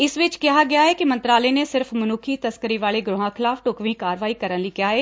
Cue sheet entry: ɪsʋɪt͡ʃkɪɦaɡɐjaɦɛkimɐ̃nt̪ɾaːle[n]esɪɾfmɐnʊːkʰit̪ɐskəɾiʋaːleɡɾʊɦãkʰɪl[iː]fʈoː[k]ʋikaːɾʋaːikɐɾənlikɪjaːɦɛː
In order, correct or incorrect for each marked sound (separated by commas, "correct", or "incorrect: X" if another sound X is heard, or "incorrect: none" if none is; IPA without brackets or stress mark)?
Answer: correct, incorrect: aː, correct